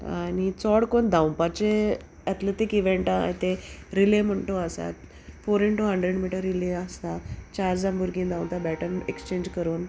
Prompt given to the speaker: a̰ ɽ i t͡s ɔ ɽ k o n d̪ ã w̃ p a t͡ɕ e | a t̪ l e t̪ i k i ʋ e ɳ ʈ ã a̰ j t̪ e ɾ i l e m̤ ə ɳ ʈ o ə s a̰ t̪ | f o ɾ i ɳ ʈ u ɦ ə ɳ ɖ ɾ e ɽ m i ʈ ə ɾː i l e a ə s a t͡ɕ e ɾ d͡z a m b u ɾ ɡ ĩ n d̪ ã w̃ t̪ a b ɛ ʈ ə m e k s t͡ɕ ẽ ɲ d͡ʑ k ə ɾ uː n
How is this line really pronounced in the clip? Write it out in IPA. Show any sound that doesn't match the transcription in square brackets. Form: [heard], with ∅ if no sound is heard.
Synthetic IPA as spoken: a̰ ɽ i t͡s ɔ ɽ k o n d̪ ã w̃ p a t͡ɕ e | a t̪ l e t̪ i k i ʋ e ɳ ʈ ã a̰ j t̪ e ɾ i l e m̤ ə ɳ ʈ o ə s a̰ t̪ | f o ɾ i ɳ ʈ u ɦ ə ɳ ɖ ɾ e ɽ m i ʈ ə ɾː i l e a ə s a t͡ɕ [a] ɾ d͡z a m b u ɾ ɡ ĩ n d̪ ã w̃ t̪ a b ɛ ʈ ə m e k s t͡ɕ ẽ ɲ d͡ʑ k ə ɾ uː n

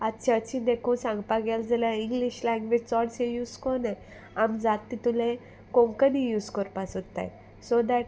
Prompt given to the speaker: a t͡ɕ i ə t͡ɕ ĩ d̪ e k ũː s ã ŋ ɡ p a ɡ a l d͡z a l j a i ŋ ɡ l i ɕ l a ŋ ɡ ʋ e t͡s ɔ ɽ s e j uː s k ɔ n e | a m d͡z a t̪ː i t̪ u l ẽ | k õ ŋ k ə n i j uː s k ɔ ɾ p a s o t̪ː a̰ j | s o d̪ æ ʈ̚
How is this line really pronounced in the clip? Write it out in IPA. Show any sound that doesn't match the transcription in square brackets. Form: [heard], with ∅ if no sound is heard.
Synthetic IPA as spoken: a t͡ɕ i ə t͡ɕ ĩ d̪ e k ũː s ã ŋ ɡ p a ɡ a l d͡z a l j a i ŋ ɡ l i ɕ l a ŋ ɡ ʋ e t͡s ɔ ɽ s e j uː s k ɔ n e | a m d͡z a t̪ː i t̪ u l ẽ | k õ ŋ k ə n i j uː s k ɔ ɾ p a s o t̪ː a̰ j | s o d̪ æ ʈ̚

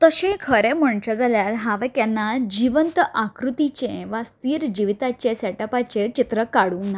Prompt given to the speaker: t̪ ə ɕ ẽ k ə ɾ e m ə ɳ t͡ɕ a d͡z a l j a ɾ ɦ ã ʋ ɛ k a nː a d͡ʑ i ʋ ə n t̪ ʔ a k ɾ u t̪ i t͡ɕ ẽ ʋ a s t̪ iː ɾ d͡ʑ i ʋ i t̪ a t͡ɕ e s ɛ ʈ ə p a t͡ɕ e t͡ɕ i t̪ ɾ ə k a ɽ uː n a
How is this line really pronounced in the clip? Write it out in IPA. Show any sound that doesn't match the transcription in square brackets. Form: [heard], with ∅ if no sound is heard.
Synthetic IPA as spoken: t̪ ə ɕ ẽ [kʰ] ə ɾ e m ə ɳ t͡ɕ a d͡z a l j a ɾ ɦ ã ʋ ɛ k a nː a d͡ʑ i ʋ ə n t̪ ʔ a k ɾ u t̪ i t͡ɕ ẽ ʋ a s t̪ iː ɾ d͡ʑ i ʋ i t̪ a t͡ɕ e s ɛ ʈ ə p a t͡ɕ e t͡ɕ i t̪ ɾ ə k a ɽ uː n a

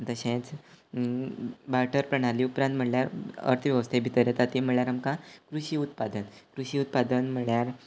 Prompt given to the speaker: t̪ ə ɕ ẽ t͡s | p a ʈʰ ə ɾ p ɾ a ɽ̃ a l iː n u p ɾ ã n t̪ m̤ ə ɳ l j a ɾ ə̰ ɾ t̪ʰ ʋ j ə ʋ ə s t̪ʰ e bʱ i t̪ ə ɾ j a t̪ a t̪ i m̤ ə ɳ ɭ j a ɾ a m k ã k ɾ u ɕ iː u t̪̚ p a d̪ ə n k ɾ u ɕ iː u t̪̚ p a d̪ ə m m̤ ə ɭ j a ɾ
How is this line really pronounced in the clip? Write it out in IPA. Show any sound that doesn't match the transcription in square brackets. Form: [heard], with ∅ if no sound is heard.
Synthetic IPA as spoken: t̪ ə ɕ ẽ t͡s | [b] a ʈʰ ə ɾ p ɾ [ə] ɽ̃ a l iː [∅] u p ɾ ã n t̪ m̤ ə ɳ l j a ɾ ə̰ ɾ t̪ʰ ʋ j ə ʋ ə s t̪ʰ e bʱ i t̪ ə ɾ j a t̪ a t̪ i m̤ ə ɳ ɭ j a ɾ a m k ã k ɾ u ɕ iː u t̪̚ p a d̪ ə n k ɾ u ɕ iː u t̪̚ p a d̪ ə [n] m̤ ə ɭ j a ɾ

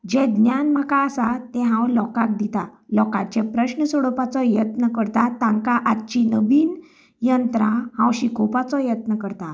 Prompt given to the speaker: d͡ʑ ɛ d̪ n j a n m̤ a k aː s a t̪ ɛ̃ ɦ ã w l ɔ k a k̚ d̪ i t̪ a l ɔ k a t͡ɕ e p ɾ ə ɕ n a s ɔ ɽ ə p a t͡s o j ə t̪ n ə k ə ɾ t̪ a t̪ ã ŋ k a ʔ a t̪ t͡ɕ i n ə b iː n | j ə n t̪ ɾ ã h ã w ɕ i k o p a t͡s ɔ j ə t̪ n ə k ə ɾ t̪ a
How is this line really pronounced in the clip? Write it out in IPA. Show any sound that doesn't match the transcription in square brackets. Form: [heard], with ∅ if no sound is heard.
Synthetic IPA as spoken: d͡ʑ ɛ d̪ n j a n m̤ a k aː s a t̪ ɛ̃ ɦ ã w l ɔ k a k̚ d̪ i t̪ a l ɔ k a t͡ɕ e p ɾ ə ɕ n [ə] s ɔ ɽ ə p a t͡s [ɔ] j ə t̪ n ə k ə ɾ t̪ a t̪ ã ŋ k a ʔ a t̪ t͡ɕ i n ə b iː n | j ə n t̪ ɾ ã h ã w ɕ i k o p a t͡s ɔ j ə t̪ n ə k ə ɾ t̪ a

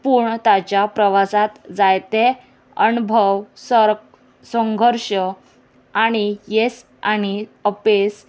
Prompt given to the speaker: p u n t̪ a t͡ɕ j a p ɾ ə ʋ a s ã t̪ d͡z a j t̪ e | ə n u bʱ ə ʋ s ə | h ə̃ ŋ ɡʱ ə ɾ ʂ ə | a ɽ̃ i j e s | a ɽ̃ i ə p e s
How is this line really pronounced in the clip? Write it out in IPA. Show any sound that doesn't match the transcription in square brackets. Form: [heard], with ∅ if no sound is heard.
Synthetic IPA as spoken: p u [ɳ] t̪ a t͡ɕ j a p ɾ ə ʋ a s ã t̪ d͡z a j t̪ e | ə n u bʱ ə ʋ s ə | [s] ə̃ ŋ ɡʱ ə ɾ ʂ ə | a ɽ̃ i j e s | a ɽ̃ i ə p e s

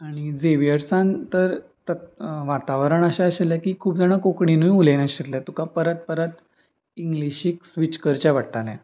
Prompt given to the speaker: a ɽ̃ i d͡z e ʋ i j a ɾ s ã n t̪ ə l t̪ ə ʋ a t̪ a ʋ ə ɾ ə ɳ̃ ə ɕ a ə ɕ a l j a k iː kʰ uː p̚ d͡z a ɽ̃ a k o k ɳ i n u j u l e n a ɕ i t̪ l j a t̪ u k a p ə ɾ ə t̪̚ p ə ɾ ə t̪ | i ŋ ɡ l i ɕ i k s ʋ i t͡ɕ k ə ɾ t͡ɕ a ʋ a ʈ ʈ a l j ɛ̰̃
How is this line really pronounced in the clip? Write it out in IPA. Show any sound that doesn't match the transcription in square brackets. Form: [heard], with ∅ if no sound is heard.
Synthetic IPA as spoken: a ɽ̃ i d͡z e ʋ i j [ə] ɾ s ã n t̪ ə [ɾ] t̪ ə ʋ a t̪ a ʋ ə ɾ ə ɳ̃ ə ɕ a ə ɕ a l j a k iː kʰ uː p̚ d͡z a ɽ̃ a k o k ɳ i n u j u l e n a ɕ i t̪ l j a t̪ u k a p ə ɾ ə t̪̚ p ə ɾ ə t̪ | i ŋ ɡ l i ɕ i k s ʋ i t͡ɕ k ə ɾ t͡ɕ a ʋ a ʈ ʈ a l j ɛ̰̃

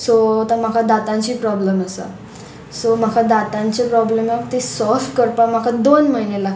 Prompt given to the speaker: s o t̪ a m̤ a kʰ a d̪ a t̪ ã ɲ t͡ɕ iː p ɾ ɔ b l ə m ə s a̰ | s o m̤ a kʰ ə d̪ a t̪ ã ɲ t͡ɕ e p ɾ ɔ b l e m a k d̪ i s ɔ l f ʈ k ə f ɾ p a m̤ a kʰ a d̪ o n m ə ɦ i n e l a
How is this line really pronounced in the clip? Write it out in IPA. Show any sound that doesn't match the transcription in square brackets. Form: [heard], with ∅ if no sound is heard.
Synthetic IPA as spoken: s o t̪ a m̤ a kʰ a d̪ a t̪ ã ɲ t͡ɕ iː p ɾ ɔ b l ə m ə s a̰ | s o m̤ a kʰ [a] d̪ a t̪ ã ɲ t͡ɕ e p ɾ ɔ b l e m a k [t̪] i s ɔ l f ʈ k ə [∅] ɾ p a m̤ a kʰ a d̪ o n m ə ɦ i n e l a

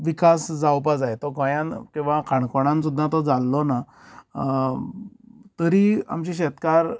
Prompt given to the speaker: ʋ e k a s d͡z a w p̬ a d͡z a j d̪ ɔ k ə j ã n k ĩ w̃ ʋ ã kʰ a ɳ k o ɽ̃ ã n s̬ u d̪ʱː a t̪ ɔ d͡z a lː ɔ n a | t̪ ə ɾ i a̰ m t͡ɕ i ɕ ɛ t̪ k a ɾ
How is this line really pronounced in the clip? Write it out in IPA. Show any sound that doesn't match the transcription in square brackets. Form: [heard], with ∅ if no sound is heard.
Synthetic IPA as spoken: ʋ [i] k a s d͡z a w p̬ a d͡z a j [t̪] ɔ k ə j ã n k ĩ w̃ ʋ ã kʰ a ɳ k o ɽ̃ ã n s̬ u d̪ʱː a t̪ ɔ d͡z a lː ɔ n a | t̪ ə ɾ i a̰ m t͡ɕ i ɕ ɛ t̪ k a ɾ

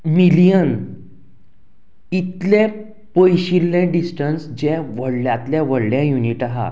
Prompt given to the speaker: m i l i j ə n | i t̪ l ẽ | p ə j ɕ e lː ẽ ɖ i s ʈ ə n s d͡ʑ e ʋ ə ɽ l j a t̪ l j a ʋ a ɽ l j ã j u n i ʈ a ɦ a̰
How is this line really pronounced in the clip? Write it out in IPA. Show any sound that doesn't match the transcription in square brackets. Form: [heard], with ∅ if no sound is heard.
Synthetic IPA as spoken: m i l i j ə n | i t̪ l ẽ | p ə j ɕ [i] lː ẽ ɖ i s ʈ ə n s d͡ʑ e ʋ ə ɽ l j a t̪ l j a ʋ [ə] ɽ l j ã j u n i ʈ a ɦ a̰

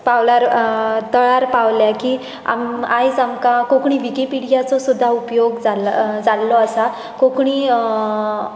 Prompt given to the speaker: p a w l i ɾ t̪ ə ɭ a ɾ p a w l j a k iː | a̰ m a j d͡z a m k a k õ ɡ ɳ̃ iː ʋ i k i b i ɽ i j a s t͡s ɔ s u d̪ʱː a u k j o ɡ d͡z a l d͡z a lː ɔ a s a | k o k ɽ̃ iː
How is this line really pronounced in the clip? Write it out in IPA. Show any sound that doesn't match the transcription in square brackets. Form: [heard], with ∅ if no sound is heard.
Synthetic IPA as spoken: p a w l [a] ɾ t̪ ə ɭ a ɾ p a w l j a k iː | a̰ m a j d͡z a m k a k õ [k] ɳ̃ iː ʋ i k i [p] i ɽ i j a [∅] t͡s ɔ s u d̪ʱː a u [p] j o ɡ d͡z a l d͡z a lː ɔ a s a | k o k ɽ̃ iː

